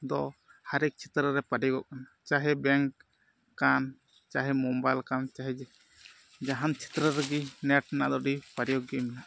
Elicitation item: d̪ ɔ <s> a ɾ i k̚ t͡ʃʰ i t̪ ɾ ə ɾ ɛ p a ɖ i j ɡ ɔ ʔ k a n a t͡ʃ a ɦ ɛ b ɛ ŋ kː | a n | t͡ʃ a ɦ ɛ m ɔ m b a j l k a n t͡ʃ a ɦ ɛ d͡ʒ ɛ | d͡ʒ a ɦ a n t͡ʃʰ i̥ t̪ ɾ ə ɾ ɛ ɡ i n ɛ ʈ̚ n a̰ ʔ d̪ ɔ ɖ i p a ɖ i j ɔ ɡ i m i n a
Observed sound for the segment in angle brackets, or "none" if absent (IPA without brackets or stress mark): h